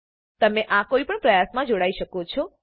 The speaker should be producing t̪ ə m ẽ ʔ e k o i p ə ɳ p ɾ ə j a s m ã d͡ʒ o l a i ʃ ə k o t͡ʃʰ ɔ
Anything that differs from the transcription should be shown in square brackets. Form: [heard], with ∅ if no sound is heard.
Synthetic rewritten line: t̪ ə m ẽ ʔ [a] k o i p ə ɳ p ɾ ə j a s m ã d͡ʒ o [ɽ] a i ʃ ə k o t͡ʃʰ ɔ